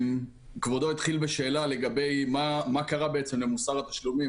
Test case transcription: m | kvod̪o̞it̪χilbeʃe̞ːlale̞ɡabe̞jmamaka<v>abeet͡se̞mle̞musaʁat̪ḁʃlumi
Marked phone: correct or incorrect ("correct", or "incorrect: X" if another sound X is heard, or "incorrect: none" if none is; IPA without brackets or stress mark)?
incorrect: ʁ